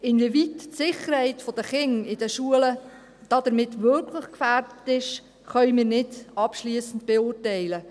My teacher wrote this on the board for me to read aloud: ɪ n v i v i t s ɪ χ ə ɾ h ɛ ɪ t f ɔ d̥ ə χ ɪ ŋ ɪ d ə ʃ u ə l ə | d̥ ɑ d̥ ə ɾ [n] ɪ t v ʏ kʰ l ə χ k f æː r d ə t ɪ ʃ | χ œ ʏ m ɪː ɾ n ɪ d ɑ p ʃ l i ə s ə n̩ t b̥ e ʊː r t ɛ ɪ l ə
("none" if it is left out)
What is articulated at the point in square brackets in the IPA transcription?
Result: m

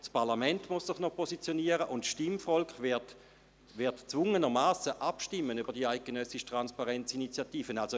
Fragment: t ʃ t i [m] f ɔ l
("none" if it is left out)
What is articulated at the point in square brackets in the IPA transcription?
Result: m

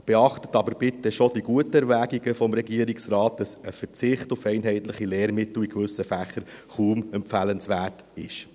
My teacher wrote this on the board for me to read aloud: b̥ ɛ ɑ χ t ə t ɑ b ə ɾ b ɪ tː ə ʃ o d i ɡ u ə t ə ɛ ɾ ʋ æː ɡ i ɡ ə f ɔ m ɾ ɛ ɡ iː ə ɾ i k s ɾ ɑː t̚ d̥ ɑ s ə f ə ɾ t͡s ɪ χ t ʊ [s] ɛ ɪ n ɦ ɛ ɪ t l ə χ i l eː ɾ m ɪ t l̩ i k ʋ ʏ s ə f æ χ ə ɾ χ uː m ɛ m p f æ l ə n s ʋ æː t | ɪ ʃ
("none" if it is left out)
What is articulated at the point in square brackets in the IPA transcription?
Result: f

